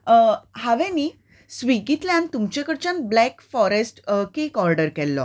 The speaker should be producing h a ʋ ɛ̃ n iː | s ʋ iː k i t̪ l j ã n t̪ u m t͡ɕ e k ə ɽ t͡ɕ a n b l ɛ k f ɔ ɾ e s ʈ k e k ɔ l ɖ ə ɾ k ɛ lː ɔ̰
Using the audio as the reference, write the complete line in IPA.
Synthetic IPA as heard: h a ʋ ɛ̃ n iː | s ʋ i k i t̪ l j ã n t̪ u m t͡ɕ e k ə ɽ t͡ɕ a n b l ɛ k f ɔ ɾ e s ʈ k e k ɔ ɾ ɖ ə ɾ k ɛ lː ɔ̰